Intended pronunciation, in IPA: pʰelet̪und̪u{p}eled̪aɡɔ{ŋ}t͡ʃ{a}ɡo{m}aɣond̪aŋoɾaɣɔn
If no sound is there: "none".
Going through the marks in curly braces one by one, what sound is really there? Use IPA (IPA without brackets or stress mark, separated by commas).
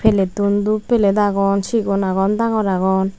p, n, i, n